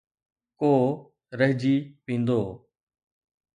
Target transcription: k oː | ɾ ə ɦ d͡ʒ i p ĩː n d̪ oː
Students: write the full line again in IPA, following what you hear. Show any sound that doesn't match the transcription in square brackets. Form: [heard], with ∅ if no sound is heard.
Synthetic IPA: k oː | ɾ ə ɦ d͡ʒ [iː] p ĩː n d̪ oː